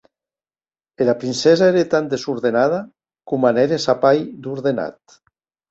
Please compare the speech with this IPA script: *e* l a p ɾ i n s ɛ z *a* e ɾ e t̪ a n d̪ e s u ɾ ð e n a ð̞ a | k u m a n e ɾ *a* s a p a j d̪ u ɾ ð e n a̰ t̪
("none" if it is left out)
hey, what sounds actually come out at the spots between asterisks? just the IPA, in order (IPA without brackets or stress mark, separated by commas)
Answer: e, a, e